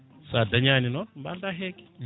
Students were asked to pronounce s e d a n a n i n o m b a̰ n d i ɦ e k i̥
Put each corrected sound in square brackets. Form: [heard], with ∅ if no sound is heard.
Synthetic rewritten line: s [a] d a [ɲ] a n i n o m b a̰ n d [a] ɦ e k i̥